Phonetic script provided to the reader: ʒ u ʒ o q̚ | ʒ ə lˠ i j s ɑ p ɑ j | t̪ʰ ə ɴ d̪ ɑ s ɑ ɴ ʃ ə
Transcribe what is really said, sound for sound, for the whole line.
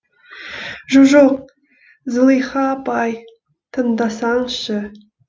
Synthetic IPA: ʒ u ʒ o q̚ | z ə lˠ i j χ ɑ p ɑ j | t̪ʰ ə n d̪ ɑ s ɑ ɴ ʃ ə

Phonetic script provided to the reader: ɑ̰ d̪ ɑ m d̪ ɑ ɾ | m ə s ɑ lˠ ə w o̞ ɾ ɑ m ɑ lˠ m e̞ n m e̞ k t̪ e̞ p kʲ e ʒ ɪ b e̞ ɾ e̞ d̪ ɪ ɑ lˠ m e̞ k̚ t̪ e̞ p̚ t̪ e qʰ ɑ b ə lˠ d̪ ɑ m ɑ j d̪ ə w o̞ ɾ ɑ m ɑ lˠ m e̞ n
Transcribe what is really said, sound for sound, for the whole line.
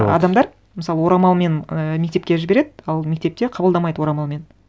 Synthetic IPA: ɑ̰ d̪ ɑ m d̪ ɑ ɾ | m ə s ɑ lˠ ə w o̞ ɾ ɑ m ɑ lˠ m e̞ n m e̞ k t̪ e̞ p kʲ e ʒ ɪ b e̞ ɾ e̞ d̪ ɪ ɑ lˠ m e̞ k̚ t̪ e̞ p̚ t̪ e qʰ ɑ b ə lˠ d̪ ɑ m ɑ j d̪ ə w o̞ ɾ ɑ m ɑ lˠ m e̞ n

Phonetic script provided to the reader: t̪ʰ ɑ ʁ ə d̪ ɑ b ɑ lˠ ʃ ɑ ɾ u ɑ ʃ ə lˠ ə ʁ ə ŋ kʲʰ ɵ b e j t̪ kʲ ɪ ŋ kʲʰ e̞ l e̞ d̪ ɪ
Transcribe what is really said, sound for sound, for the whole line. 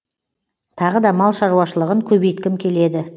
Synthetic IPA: t̪ʰ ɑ ʁ ə d̪ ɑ m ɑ lˠ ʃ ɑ ɾ u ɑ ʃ ə lˠ ə ʁ ə ŋ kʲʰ ɵ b e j t̪ kʲ ɪ m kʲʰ e̞ l e̞ d̪ ɪ

